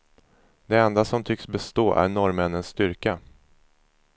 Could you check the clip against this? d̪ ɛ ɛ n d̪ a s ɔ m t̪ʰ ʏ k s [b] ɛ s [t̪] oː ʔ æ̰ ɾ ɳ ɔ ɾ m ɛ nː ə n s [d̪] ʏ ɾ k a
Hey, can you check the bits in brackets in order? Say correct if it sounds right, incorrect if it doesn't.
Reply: correct, correct, incorrect: t̪

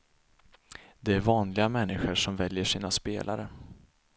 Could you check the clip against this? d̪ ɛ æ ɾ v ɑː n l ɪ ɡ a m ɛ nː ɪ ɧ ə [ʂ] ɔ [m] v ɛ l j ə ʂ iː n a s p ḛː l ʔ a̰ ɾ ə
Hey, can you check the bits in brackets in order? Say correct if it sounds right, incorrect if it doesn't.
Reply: correct, correct

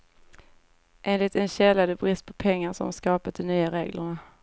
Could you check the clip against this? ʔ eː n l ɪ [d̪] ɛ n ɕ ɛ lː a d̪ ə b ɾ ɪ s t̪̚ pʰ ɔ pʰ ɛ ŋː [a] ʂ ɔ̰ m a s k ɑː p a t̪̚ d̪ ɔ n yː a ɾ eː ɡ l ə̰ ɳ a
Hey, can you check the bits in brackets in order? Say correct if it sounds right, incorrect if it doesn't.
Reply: incorrect: t̪, correct

